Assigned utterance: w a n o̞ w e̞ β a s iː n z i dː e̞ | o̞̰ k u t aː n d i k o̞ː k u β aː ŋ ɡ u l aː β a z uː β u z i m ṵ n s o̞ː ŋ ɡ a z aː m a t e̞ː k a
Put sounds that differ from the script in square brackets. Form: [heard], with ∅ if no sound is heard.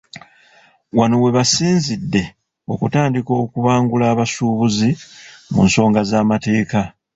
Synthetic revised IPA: w a n o̞ w e̞ β a s iː n z i dː e̞ | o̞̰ k u t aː n d i k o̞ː k u β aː ŋ ɡ u l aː β a [s] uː β u z i m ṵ n s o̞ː ŋ ɡ a z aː m a t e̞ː k a